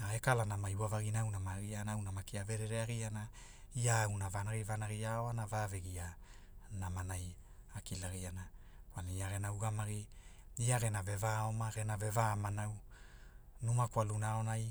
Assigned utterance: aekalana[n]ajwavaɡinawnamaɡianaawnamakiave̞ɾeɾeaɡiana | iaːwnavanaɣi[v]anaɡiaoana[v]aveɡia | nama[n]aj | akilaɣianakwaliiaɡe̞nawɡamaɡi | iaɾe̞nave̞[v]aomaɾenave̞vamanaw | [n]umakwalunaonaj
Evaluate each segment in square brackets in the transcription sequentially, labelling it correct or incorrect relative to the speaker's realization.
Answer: incorrect: m, correct, correct, correct, correct, correct

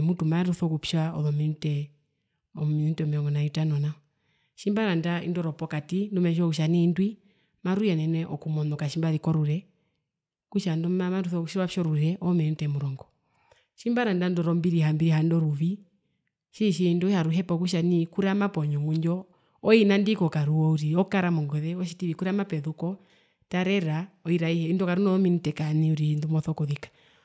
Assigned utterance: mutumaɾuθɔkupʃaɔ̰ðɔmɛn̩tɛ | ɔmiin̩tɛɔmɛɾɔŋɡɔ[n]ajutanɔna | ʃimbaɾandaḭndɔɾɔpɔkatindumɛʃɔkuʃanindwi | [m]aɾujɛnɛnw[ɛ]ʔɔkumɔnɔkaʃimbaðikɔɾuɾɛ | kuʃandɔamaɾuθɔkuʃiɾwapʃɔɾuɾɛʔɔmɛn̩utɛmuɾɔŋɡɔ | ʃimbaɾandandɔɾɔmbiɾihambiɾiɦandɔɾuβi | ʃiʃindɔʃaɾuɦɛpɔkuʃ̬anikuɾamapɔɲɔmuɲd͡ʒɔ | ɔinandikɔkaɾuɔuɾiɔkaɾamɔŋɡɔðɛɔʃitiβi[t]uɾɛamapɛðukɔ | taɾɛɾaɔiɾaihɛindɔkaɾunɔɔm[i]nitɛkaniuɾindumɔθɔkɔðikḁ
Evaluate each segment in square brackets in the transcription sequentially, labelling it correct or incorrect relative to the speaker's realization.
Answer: correct, correct, correct, incorrect: k, correct

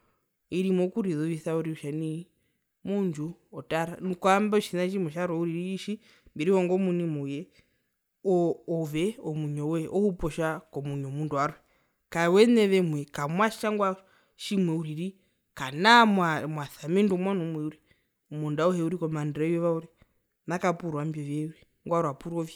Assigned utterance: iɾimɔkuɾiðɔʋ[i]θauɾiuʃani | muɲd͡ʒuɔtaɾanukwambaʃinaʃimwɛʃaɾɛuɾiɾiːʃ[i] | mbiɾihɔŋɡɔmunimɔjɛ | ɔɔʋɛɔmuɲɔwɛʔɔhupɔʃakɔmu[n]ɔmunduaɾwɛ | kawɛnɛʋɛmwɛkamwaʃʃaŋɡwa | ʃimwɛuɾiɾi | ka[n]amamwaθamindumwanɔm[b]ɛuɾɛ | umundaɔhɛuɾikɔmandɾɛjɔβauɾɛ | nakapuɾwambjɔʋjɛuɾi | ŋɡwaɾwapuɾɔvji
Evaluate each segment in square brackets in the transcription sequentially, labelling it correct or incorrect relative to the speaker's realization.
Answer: correct, correct, incorrect: ɲ, correct, incorrect: w

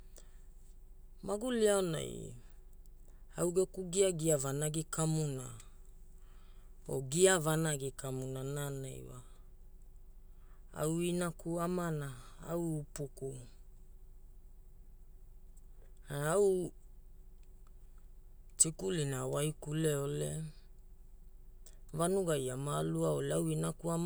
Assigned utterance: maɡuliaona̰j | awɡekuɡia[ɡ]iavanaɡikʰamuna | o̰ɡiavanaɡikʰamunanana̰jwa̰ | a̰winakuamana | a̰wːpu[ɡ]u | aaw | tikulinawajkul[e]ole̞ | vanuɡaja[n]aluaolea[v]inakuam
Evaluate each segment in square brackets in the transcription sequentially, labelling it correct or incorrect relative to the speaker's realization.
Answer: correct, incorrect: k, correct, incorrect: m, incorrect: w

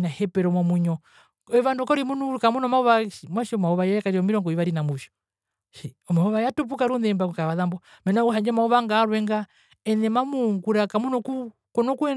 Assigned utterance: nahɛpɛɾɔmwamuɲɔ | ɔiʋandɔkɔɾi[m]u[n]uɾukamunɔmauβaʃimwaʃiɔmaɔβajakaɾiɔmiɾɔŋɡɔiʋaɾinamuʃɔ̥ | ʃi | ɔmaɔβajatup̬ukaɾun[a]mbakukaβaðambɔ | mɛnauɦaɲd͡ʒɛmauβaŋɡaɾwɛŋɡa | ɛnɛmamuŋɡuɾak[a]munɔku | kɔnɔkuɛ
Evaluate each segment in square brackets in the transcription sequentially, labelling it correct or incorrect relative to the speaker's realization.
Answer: correct, correct, incorrect: ɛ, correct

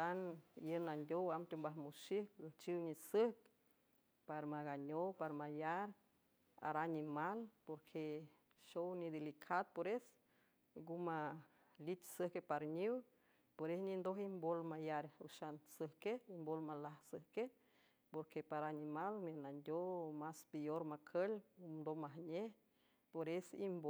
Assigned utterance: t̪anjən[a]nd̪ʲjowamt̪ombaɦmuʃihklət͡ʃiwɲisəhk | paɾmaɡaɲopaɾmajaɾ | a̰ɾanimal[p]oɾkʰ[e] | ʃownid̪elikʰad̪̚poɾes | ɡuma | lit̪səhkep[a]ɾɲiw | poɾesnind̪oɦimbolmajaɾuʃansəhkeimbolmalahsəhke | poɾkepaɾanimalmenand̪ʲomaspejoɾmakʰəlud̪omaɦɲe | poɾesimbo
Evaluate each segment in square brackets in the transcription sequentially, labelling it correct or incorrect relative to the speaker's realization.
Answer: correct, correct, correct, correct

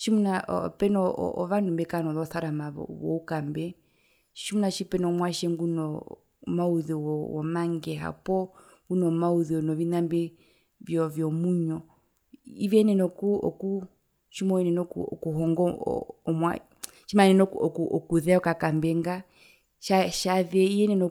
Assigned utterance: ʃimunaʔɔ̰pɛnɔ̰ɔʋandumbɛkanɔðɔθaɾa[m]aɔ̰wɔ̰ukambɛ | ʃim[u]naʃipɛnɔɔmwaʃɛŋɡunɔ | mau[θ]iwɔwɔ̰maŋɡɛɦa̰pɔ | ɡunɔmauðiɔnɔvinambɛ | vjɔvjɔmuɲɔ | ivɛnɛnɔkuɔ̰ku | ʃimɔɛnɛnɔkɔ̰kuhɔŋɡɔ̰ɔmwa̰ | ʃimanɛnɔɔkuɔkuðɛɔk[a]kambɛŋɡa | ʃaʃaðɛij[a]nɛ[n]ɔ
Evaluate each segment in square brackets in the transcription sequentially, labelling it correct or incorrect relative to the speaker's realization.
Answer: correct, correct, incorrect: ð, correct, incorrect: ɛ, correct

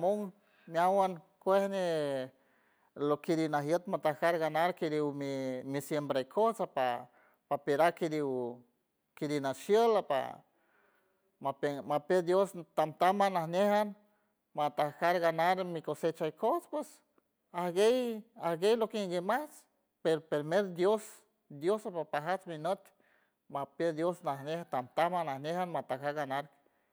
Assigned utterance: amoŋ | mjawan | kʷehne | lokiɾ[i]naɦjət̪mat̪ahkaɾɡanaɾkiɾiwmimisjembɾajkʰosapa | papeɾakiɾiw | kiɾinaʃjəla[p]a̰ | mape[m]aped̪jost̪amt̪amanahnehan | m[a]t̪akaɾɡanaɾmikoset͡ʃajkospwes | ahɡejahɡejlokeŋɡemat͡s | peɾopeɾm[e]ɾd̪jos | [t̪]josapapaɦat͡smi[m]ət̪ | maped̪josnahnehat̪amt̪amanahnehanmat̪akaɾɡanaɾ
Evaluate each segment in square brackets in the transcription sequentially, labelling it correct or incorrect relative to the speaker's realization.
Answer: correct, correct, correct, correct, correct, incorrect: d̪, incorrect: n

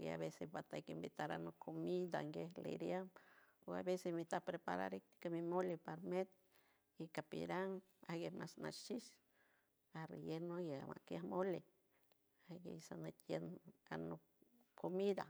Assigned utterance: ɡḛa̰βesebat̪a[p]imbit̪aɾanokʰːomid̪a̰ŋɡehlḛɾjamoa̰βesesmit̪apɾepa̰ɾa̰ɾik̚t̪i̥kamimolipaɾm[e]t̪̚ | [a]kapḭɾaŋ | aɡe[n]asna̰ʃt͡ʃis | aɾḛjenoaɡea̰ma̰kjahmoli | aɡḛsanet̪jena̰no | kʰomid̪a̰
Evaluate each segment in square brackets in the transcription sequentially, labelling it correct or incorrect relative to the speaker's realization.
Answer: incorrect: k, correct, incorrect: i, incorrect: m

